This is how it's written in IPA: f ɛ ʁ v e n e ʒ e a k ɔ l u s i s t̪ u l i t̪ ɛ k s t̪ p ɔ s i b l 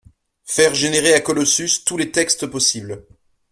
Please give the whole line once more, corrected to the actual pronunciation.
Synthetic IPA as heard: f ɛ ʁ ʒ e n e ʁ e a k ɔ l ɔ s y s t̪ u l e t̪ ɛ k s t̪ p ɔ s i b l